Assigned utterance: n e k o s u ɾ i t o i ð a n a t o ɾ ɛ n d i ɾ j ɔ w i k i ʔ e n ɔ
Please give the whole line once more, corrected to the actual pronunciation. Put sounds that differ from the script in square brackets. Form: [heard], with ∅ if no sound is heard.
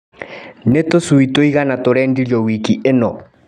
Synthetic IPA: n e [t] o s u [∅] i t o i [ɣ] a n a t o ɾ ɛ n d i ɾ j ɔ w i k i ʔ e n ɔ